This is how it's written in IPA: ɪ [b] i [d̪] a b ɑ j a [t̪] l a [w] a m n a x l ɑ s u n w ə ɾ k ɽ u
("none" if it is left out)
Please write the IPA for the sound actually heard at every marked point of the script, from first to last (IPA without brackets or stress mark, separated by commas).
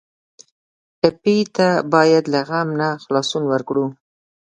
p, t̪, d̪, ɣ